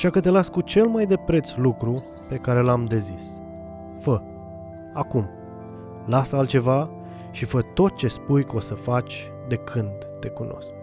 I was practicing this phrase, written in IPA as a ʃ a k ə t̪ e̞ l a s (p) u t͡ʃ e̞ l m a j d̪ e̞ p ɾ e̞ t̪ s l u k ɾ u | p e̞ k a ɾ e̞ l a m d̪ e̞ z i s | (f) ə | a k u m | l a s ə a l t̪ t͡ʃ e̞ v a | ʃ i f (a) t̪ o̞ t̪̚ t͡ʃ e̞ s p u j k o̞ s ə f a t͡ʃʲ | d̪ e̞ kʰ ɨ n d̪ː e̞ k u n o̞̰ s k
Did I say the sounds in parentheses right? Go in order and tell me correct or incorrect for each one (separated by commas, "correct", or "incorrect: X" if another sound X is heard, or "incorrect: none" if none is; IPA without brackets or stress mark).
incorrect: k, correct, incorrect: ə